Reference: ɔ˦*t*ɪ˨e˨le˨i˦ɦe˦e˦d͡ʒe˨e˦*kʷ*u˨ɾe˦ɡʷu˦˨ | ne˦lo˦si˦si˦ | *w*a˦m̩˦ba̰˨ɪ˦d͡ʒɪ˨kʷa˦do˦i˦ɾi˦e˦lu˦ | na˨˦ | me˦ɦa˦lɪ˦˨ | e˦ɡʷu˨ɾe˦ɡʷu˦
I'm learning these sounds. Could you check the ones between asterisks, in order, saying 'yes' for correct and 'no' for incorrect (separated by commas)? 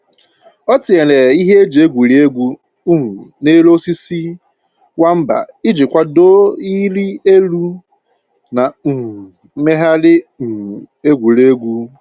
yes, no, yes